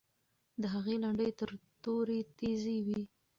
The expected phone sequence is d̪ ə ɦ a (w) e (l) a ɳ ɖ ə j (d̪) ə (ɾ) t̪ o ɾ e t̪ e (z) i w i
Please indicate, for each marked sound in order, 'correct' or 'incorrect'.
incorrect: ɣ, correct, incorrect: t̪, correct, correct

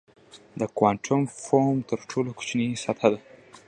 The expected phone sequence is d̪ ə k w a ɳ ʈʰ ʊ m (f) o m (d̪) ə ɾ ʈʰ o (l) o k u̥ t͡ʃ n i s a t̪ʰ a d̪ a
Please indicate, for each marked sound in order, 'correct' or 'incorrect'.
correct, incorrect: t̪, correct

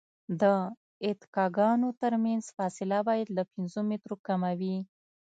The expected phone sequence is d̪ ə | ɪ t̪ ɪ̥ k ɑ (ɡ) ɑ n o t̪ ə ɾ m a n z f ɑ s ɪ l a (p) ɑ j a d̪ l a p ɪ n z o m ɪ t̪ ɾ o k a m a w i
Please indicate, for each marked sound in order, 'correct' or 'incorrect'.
correct, incorrect: b

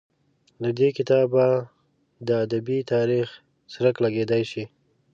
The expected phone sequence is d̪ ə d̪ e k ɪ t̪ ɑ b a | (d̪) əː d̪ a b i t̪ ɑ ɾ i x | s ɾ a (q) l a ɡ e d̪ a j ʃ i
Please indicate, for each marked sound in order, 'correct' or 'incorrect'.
correct, incorrect: k

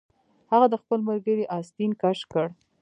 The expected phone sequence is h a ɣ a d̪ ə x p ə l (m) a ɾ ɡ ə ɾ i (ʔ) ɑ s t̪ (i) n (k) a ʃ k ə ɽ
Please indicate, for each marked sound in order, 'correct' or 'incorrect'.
correct, correct, correct, correct

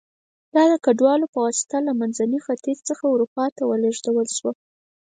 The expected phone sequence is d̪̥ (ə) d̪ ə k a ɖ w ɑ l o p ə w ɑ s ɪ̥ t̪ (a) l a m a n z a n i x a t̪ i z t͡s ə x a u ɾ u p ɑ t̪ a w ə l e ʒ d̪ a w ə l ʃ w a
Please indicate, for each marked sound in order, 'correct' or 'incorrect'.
incorrect: ɑ, correct

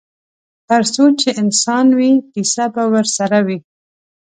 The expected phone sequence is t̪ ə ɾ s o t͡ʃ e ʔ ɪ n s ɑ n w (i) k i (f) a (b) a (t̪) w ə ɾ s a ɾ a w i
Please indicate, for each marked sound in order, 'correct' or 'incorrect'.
correct, incorrect: s, correct, incorrect: none

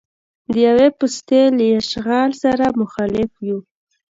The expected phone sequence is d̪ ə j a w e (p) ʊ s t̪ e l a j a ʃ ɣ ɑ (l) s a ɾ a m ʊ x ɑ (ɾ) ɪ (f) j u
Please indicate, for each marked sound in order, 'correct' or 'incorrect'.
correct, correct, incorrect: l, correct

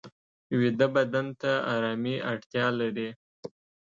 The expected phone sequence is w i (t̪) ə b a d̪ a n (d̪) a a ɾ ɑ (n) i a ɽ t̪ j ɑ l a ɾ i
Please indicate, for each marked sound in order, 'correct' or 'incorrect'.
incorrect: d̪, incorrect: t̪, incorrect: m

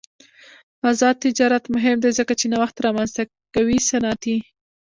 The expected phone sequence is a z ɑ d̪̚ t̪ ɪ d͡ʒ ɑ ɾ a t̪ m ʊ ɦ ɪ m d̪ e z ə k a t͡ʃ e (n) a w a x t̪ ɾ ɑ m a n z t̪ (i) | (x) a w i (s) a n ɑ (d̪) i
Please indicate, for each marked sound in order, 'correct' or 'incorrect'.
correct, incorrect: a, incorrect: k, correct, incorrect: t̪

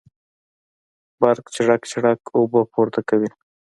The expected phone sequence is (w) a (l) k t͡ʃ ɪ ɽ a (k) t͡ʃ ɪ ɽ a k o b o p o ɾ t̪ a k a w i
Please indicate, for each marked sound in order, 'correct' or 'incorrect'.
incorrect: b, incorrect: ɾ, correct

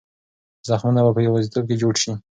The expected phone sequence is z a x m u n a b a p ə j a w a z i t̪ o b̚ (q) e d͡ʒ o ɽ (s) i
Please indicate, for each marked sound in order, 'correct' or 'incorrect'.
incorrect: k, incorrect: ʃ

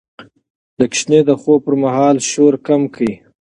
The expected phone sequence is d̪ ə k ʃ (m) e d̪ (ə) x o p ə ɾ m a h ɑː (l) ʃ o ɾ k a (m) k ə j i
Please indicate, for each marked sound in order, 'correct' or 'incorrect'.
incorrect: n, correct, correct, correct

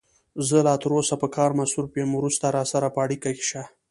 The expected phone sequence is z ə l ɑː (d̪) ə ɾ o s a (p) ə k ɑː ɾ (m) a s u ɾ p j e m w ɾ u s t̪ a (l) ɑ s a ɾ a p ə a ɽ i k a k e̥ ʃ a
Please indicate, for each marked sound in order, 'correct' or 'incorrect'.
incorrect: t̪, correct, correct, incorrect: ɾ

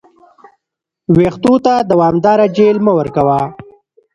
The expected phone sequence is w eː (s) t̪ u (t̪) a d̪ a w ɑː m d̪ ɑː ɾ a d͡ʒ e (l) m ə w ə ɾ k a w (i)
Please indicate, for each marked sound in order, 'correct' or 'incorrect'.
incorrect: x, correct, correct, incorrect: a

